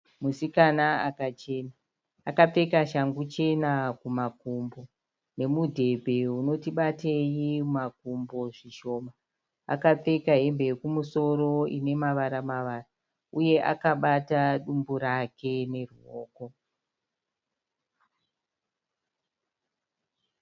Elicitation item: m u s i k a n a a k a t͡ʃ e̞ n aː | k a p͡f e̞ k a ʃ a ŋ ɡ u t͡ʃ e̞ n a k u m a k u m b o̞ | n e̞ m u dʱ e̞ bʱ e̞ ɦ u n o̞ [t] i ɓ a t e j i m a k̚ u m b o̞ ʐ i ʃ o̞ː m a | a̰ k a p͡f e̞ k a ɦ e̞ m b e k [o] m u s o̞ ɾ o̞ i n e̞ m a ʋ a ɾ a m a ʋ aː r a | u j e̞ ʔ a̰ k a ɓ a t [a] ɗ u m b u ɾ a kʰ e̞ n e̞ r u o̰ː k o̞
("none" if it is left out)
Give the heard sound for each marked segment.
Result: t, u, a

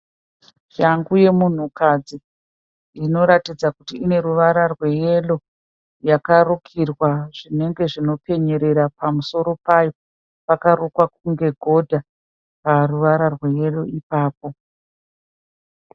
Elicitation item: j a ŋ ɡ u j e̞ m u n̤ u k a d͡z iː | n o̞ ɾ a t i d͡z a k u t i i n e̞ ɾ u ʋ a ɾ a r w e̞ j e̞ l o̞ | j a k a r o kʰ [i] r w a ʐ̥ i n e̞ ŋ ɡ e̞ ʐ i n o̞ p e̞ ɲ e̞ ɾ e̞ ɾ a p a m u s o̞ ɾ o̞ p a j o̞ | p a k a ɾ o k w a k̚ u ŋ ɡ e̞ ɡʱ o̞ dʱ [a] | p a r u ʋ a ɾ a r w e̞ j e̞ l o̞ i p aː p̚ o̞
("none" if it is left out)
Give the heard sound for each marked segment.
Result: i, a

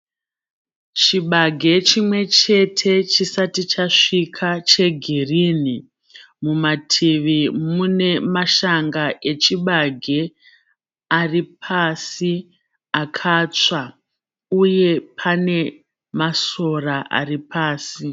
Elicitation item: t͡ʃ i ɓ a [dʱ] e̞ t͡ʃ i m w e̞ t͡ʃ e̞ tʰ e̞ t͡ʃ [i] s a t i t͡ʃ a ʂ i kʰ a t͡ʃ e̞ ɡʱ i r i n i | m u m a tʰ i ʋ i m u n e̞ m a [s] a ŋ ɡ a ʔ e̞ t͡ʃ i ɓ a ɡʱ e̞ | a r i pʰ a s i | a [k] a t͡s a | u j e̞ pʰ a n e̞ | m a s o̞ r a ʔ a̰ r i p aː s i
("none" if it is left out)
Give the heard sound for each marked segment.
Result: ɡʱ, i, ʃ, kʰ

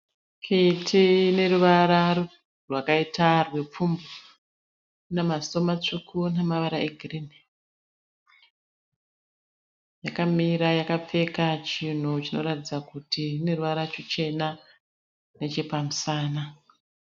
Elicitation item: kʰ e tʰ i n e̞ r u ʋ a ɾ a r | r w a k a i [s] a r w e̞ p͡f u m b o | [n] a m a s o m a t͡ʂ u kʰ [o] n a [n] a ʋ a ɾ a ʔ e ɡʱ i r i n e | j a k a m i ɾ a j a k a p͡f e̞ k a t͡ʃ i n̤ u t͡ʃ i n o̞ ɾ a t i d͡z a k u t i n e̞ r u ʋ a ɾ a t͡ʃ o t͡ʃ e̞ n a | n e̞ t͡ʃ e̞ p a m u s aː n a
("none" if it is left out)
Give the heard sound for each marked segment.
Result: t, n, u, m

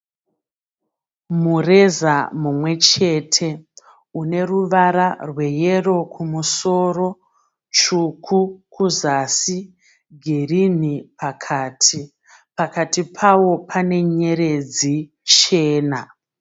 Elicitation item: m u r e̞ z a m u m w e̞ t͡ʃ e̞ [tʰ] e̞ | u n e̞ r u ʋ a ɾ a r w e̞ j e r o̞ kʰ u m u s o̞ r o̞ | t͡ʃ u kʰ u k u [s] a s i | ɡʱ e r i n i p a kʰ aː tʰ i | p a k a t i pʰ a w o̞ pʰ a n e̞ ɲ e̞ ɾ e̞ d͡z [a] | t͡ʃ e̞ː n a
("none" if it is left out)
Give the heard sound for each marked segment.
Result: tʰ, z, i

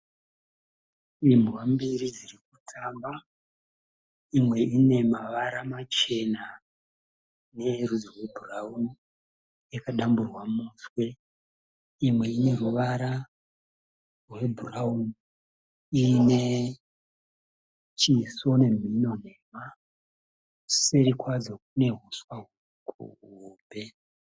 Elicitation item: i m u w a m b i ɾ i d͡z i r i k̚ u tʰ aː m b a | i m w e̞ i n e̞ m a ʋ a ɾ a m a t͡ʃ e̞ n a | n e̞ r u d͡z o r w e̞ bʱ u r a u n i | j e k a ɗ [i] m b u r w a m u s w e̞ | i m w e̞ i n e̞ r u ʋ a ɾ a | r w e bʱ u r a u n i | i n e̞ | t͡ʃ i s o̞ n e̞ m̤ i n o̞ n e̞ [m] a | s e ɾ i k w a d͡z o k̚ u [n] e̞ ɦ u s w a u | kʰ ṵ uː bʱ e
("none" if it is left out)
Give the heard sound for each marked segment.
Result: a, m, n

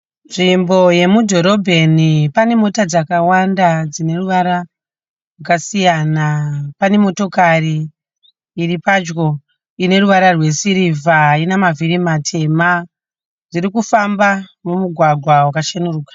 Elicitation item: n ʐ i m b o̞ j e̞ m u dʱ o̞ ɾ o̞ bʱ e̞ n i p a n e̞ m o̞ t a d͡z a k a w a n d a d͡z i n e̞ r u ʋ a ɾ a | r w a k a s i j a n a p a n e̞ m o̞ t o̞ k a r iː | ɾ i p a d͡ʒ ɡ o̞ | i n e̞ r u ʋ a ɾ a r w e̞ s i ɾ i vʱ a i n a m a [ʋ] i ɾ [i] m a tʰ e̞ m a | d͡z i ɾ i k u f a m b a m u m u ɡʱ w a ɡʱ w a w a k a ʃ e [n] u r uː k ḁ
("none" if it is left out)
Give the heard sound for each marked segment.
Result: v, i, n

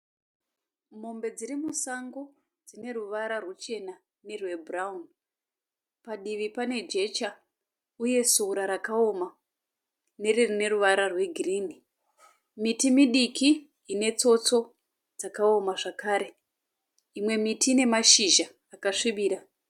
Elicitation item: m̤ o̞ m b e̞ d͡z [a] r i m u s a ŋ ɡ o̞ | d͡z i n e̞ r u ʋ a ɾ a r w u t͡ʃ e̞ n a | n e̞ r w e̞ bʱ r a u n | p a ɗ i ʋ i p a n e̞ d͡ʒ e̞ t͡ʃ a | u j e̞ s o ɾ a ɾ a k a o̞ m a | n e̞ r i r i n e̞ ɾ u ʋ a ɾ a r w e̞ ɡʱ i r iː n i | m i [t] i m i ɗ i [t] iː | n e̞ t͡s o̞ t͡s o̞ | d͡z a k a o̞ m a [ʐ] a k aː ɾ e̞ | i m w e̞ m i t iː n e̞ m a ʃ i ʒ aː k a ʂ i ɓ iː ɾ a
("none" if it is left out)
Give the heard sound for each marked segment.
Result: i, t, k, ʐ

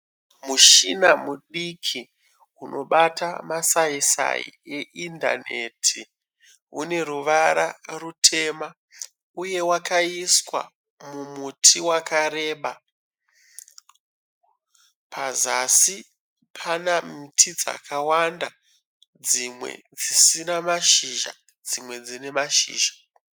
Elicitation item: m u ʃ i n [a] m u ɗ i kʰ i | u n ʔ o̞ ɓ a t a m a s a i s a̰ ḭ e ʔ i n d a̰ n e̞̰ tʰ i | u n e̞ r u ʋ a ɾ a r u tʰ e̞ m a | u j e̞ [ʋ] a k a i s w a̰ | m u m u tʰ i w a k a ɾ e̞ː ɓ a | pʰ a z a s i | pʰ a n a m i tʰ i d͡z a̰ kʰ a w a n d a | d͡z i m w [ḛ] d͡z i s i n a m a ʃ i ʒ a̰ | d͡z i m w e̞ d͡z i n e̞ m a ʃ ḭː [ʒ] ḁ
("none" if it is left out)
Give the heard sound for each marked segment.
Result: a, w, ḛ, ʒ

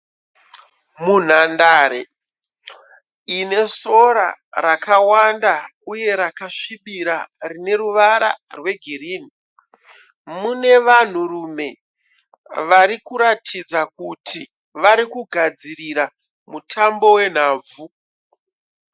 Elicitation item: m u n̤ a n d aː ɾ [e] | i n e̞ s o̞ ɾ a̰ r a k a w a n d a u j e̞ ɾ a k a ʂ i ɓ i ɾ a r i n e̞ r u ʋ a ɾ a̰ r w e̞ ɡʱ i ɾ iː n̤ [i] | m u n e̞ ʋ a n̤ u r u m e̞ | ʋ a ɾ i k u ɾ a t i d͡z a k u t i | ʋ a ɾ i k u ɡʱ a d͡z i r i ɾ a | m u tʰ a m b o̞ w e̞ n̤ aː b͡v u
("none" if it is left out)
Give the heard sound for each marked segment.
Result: e, i

